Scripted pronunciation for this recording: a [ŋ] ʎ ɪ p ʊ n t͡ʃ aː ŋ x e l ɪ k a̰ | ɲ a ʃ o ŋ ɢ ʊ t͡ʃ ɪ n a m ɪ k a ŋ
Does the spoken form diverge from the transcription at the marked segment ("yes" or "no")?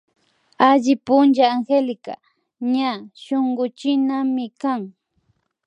yes